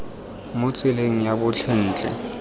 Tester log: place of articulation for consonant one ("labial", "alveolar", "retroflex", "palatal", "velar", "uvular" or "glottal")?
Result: labial